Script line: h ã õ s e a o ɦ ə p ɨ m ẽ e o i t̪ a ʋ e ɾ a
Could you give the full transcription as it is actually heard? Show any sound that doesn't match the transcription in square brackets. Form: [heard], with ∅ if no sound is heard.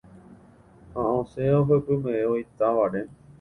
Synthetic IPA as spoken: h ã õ s e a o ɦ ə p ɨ m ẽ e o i t̪ a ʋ [a] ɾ [e]